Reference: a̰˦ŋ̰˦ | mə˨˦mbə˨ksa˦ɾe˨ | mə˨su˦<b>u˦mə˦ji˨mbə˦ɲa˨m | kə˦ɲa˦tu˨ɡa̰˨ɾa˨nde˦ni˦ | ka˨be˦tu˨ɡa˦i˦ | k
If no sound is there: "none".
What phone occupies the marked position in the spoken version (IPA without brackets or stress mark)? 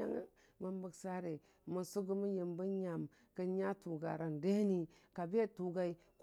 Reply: ɡ